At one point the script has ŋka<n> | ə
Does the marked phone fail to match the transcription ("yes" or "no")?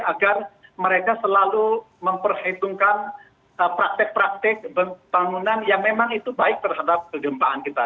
no